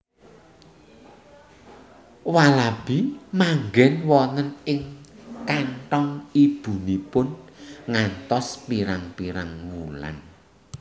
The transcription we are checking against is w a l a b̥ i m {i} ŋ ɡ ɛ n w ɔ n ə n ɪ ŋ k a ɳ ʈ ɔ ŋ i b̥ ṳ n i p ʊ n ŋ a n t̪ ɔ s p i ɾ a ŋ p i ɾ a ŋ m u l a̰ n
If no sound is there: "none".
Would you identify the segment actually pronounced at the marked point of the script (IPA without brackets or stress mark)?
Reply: a